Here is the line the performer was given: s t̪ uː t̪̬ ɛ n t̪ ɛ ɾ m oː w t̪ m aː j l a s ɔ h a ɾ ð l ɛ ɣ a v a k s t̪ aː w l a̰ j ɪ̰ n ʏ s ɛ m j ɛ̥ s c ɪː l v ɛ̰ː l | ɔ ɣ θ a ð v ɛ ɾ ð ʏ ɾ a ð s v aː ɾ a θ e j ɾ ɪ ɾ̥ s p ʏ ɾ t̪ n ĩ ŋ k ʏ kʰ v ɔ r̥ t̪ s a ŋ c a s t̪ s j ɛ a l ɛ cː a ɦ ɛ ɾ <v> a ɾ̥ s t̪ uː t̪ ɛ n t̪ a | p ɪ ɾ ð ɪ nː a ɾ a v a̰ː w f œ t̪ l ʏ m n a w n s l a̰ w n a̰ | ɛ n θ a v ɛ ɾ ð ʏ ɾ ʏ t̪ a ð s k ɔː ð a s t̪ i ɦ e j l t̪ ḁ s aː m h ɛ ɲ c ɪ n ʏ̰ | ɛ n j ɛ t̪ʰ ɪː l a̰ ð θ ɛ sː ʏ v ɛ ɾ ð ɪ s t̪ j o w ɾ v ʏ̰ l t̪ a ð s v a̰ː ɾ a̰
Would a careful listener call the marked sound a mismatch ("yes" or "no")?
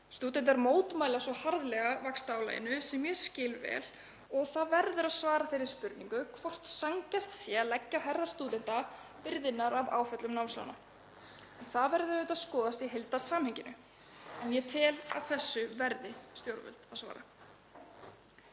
yes